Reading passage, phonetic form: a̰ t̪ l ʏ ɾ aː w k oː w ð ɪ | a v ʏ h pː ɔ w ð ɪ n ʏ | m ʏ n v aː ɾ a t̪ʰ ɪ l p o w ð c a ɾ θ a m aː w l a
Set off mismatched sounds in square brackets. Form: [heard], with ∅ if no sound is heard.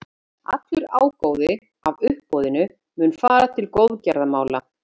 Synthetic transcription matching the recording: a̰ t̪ l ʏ ɾ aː w k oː w ð ɪ | a v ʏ h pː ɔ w ð ɪ n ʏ | m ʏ n [f] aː ɾ a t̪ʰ ɪ l [k] o w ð c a ɾ [ð] a m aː w l a